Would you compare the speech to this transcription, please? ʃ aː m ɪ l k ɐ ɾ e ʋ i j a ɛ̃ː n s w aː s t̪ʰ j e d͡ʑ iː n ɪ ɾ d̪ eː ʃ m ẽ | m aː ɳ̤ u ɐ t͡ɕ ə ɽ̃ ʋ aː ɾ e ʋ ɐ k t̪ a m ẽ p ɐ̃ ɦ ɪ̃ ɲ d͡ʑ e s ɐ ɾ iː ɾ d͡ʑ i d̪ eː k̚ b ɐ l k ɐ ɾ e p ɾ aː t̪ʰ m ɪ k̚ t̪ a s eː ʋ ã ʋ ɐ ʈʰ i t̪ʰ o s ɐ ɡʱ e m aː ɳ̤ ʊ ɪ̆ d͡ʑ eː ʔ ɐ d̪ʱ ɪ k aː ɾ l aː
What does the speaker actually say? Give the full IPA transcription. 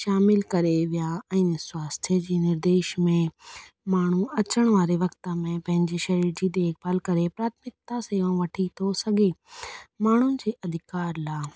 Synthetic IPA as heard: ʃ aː m ɪ l k ɐ ɾ e ʋ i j a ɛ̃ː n s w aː s t̪ʰ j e d͡ʑ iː n ɪ ɾ d̪ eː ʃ m ẽ | m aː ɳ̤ u ɐ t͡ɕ ə ɽ̃ ʋ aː ɾ e ʋ ɐ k t̪ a m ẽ p ɐ̃ ɦ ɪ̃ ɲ d͡ʑ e ʃ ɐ ɾ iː ɾ d͡ʑ i d̪ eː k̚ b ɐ l k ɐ ɾ e p ɾ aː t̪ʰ m ɪ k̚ t̪ a s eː ʋ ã ʋ ɐ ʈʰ i t̪ʰ o s ɐ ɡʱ e m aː ɳ̤ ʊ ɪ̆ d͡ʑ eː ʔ ɐ d̪ʱ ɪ k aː ɾ l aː